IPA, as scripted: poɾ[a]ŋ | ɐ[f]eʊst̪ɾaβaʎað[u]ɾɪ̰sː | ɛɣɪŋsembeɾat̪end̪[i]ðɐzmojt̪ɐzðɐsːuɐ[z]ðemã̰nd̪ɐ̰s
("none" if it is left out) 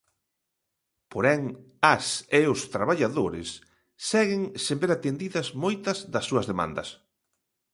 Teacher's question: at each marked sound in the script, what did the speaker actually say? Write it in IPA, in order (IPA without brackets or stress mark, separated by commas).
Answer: ɛ, s, o, i, z